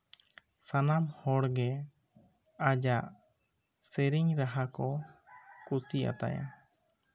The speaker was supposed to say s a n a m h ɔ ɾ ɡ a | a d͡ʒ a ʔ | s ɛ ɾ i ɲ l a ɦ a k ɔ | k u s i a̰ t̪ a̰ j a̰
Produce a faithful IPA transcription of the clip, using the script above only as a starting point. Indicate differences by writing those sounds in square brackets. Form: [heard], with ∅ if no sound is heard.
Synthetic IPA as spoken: s a n a m h ɔ [ɽ] ɡ [ɛ] | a d͡ʒ a ʔ | s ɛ ɾ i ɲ [ɾ] a ɦ a k ɔ | k u s i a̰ t̪ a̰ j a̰

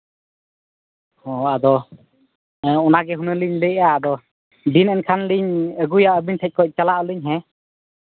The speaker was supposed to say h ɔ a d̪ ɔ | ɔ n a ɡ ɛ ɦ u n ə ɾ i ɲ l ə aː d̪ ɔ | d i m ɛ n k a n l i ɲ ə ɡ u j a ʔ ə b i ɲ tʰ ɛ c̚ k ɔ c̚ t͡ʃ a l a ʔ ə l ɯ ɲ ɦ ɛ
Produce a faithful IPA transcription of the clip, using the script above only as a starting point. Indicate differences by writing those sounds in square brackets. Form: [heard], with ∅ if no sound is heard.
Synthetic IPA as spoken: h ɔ a d̪ ɔ | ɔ n a ɡ ɛ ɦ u n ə [l] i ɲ l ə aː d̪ ɔ | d i [n] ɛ n [kʰ] a n l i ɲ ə ɡ u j a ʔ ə b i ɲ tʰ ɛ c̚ k ɔ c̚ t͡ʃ a l a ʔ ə l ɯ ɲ ɦ ɛ

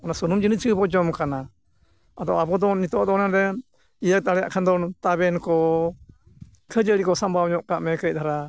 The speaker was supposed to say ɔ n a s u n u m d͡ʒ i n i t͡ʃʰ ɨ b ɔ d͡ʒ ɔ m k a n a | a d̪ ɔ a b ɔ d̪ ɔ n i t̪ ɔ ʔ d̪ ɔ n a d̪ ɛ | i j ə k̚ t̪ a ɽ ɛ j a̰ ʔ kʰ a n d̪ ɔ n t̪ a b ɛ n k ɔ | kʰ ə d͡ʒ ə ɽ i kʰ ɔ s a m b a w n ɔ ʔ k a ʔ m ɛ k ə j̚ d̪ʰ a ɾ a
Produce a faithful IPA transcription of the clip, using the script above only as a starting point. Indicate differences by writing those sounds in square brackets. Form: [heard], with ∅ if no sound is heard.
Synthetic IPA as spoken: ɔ n a s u n u m d͡ʒ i n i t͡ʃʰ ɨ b ɔ d͡ʒ ɔ m k a n a | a d̪ ɔ a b ɔ d̪ ɔ n i t̪ ɔ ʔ d̪ ɔ n a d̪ ɛ | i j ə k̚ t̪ a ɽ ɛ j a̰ ʔ kʰ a n d̪ ɔ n t̪ a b ɛ n k ɔ | kʰ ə d͡ʒ ə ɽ i [k] ɔ s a m b a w [ɲ] ɔ ʔ k a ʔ m ɛ k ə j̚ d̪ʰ a ɾ a

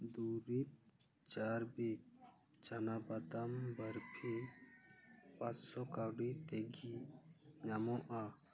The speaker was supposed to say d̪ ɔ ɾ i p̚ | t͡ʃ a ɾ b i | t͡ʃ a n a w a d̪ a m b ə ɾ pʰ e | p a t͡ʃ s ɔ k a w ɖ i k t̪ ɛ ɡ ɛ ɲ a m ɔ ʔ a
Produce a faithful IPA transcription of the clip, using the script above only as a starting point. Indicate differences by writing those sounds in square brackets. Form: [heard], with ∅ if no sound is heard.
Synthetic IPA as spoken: d̪ [u] ɾ i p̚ | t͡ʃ a ɾ b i | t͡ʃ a n a [b] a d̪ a m b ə ɾ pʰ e | p a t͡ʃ s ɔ k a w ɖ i [∅] t̪ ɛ ɡ [i] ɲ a m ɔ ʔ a

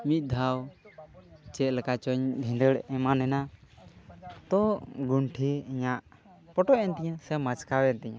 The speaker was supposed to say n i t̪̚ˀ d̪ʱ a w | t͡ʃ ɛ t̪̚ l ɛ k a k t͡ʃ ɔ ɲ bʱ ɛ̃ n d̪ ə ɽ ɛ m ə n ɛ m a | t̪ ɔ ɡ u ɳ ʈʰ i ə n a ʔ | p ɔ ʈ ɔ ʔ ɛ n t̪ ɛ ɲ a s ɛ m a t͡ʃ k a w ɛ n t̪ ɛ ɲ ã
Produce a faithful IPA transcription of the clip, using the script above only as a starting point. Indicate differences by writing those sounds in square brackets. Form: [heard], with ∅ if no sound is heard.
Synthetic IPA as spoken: [m] i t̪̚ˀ d̪ʱ a w | t͡ʃ ɛ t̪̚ l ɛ k a [∅] t͡ʃ ɔ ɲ bʱ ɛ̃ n d̪ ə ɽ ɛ m [a] n ɛ [n] a | t̪ ɔ ɡ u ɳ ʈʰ i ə [ɲ] a ʔ | p ɔ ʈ ɔ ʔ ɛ n t̪ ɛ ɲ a s ɛ m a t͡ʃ k a w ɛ n t̪ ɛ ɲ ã

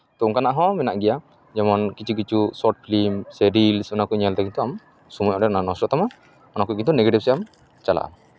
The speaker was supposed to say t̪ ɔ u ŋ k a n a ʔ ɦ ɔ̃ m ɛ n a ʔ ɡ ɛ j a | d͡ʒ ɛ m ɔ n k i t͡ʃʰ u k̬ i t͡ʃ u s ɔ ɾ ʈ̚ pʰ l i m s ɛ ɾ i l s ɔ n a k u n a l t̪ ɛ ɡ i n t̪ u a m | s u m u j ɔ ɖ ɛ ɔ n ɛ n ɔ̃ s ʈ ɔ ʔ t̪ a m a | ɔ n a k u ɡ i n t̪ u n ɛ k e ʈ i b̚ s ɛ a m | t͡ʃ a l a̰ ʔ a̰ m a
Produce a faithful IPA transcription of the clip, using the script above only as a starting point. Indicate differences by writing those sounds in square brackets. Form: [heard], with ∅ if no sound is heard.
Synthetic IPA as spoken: t̪ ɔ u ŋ k a n a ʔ ɦ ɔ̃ m ɛ n a ʔ ɡ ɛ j a | d͡ʒ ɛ m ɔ n k i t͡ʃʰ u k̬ i t͡ʃ u s ɔ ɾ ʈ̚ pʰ l i m s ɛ ɾ i l s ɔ n a k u [ɲ] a l t̪ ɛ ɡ i n t̪ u a m | s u m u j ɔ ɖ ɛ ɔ n [a] n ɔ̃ s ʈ ɔ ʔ t̪ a m a | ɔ n a k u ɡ i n t̪ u n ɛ [ɡ] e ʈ i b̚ s ɛ a m | t͡ʃ a l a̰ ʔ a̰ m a

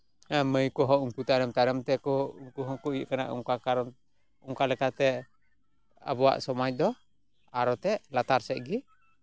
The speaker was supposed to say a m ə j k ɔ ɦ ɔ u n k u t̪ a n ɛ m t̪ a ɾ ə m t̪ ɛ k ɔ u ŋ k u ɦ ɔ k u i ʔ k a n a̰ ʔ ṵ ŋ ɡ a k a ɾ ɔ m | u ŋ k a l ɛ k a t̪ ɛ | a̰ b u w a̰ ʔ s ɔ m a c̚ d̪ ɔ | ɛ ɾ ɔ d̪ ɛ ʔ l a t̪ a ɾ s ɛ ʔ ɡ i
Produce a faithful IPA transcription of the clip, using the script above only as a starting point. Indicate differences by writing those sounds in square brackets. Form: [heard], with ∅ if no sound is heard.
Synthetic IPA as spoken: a m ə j k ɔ ɦ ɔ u [ŋ] k u t̪ a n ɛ m t̪ a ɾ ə m t̪ ɛ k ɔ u ŋ k u ɦ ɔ k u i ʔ k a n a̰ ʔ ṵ ŋ [k] a k a ɾ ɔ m | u ŋ k a l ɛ k a t̪ ɛ | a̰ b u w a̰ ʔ s ɔ m a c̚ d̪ ɔ | [a] ɾ ɔ [t̪] ɛ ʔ l a t̪ a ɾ s ɛ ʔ ɡ i

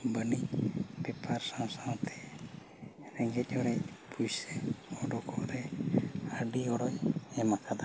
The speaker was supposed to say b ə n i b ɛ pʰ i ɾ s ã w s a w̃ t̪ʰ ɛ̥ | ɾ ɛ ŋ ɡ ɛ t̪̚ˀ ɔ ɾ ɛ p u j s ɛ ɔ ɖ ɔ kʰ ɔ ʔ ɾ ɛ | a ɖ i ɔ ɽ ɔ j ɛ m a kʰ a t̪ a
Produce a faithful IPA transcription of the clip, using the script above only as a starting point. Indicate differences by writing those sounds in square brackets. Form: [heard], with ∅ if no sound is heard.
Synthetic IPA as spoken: b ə n i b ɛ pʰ [a] ɾ s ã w s a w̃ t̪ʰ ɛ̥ | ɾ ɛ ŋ ɡ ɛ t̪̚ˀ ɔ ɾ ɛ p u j s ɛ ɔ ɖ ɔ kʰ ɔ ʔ ɾ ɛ | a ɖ i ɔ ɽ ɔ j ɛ m a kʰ a [d̪] a

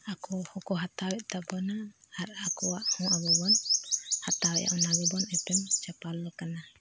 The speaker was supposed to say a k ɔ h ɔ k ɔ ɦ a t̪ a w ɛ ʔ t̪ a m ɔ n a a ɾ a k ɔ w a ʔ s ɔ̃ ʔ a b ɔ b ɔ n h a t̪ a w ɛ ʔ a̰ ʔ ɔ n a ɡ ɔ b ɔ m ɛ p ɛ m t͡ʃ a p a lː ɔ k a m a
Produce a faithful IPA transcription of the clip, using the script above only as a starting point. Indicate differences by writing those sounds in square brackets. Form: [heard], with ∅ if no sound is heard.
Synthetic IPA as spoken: a k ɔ h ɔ k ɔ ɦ a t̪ a w ɛ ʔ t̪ a [b] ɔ n a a ɾ a k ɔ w a ʔ [h] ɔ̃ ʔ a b ɔ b ɔ n h a t̪ a w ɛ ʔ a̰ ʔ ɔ n a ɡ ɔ b ɔ [n] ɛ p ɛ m t͡ʃ a p a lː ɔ k a [n] a

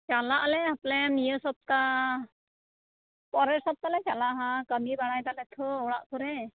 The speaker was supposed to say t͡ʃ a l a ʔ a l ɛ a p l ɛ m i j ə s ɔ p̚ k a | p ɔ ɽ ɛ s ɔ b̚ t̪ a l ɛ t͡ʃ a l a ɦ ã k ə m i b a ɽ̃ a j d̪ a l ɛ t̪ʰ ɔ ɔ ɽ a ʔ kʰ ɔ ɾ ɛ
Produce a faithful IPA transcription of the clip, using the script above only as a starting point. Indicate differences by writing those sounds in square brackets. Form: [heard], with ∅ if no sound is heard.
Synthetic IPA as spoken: t͡ʃ a l a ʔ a l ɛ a p l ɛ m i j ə s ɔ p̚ k a | p ɔ [ɾ] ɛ s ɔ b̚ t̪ a l ɛ t͡ʃ a l a ɦ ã k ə m i b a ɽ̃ a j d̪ a l ɛ t̪ʰ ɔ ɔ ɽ a ʔ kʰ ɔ ɾ ɛ

